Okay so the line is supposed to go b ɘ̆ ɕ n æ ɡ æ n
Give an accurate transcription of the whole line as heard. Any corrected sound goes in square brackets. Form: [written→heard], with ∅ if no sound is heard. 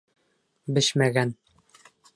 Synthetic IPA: b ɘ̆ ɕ [n→m] æ ɡ æ n

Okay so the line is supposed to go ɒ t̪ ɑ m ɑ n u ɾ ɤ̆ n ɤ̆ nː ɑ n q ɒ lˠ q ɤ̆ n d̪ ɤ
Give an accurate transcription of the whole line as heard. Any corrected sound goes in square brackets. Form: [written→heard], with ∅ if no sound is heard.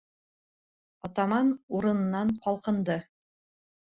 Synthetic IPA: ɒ t̪ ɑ m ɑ n u ɾ ɤ̆ n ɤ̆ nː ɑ n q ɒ lˠ q ɤ̆ n d̪ ɤ

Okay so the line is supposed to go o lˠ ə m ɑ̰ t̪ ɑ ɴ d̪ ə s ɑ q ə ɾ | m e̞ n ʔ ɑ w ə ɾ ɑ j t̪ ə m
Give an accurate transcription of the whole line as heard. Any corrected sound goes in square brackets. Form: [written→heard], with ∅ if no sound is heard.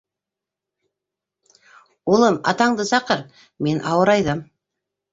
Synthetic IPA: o lˠ ə m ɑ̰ t̪ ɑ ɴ d̪ ə s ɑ q ə ɾ | m e̞ n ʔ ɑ w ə ɾ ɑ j [t̪→d̪] ə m

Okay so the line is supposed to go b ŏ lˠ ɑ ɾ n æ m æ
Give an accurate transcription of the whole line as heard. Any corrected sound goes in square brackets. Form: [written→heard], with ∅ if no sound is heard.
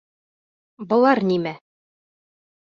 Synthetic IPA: b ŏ lˠ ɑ ɾ n [æ→i] m æ

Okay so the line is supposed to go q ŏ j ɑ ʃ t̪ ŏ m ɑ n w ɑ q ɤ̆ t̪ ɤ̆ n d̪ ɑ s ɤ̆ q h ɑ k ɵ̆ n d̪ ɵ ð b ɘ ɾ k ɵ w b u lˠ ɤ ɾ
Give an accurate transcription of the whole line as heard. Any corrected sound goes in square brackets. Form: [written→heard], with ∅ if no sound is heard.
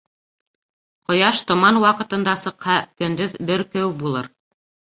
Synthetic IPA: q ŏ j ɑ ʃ t̪ ŏ m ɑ n w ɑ q ɤ̆ t̪ ɤ̆ n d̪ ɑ s ɤ̆ q h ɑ k ɵ̆ n d̪ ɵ ð b ɘ ɾ k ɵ w b u lˠ ɤ ɾ

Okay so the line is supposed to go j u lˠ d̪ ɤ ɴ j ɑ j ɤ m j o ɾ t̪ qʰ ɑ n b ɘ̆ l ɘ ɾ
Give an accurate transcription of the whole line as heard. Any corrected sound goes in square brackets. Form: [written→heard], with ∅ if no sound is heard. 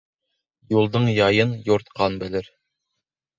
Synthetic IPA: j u lˠ d̪ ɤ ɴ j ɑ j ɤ [m→n] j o ɾ t̪ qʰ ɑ n b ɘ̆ l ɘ ɾ

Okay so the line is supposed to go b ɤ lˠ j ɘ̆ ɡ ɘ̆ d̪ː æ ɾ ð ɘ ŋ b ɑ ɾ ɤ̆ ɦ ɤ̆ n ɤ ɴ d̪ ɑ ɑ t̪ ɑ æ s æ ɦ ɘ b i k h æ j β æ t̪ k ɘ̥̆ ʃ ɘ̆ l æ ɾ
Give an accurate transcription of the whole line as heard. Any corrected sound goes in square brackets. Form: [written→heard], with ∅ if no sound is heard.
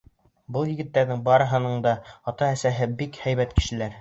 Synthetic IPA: b ɤ lˠ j ɘ̆ ɡ ɘ̆ [d̪ː→t̪ː] æ ɾ ð ɘ ŋ b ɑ ɾ ɤ̆ ɦ ɤ̆ n ɤ ɴ d̪ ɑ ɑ t̪ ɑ æ s æ ɦ ɘ b i k h æ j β æ t̪ k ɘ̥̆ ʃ ɘ̆ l æ ɾ

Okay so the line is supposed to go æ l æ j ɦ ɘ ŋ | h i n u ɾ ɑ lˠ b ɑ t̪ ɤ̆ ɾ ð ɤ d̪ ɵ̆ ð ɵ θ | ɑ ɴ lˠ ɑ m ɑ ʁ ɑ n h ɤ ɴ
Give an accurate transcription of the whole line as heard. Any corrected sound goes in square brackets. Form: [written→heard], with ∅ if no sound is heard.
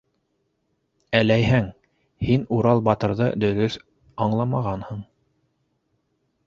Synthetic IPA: æ l æ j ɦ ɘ ŋ | h i n u ɾ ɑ lˠ b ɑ t̪ ɤ̆ ɾ ð ɤ d̪ ɵ̆ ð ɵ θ | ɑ ɴ lˠ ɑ m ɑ ʁ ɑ n h ɤ ɴ

